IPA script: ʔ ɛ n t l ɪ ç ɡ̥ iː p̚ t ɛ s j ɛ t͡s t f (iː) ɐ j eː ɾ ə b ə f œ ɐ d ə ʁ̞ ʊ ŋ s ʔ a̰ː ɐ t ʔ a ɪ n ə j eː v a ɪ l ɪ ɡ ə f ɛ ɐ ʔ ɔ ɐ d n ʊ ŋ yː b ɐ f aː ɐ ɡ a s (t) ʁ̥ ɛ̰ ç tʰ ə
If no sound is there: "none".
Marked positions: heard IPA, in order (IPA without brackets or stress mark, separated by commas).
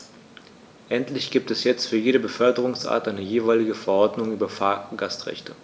yː, t